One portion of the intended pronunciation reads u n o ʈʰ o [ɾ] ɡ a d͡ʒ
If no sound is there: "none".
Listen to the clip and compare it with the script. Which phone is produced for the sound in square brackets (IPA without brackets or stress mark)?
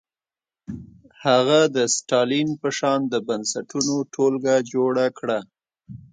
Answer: l